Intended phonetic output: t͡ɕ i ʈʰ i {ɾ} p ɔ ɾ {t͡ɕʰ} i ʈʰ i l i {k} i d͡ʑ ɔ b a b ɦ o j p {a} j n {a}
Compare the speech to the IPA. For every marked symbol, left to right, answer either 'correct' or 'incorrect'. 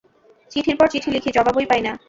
correct, incorrect: t͡ɕ, incorrect: kʰ, correct, correct

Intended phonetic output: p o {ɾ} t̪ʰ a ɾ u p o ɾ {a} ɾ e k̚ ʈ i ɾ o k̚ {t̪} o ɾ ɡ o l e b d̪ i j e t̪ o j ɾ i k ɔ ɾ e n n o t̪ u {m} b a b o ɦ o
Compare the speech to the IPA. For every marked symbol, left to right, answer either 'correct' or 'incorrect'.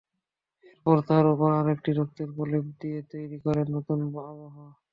correct, correct, correct, incorrect: n

